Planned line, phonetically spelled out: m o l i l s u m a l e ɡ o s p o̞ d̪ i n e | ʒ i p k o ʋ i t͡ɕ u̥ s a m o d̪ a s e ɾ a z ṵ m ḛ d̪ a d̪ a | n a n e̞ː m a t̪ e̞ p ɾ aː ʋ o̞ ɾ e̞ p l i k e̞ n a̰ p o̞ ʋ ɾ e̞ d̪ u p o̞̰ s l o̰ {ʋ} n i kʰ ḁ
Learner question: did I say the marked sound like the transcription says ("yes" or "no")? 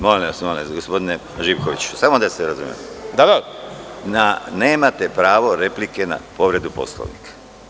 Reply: yes